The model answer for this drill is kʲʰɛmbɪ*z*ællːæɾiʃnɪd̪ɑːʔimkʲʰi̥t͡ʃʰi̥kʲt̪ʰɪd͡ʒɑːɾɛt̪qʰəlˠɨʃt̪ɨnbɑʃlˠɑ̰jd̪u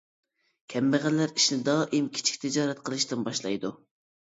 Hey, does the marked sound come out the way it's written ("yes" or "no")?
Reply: no